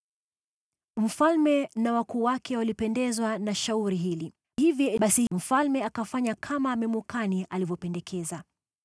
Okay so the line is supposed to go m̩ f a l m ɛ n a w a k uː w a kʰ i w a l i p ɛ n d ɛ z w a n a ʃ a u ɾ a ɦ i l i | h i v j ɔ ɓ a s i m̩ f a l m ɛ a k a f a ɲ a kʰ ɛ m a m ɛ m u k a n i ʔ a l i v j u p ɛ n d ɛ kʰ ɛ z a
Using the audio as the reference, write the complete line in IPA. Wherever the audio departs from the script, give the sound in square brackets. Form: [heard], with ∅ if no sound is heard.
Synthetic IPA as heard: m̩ f a l m ɛ n a w a k uː w a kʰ [ɛ] w a l i p ɛ n d ɛ z w a n a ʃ a u ɾ [i] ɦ i l i | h i v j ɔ ɓ a s i m̩ f a l m ɛ a k a f a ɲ a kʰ [a] m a m ɛ m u k a n i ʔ a l i v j [ɔ] p ɛ n d ɛ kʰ ɛ z a